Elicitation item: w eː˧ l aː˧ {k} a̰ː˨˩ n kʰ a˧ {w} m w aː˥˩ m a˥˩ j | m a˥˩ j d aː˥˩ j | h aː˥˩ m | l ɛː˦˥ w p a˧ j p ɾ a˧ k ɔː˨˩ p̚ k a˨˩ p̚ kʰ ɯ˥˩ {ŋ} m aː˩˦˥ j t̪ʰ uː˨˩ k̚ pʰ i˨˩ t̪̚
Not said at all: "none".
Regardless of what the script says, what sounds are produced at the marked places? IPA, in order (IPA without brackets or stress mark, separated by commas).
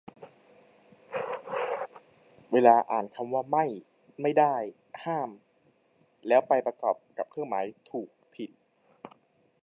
ʔ, none, ŋ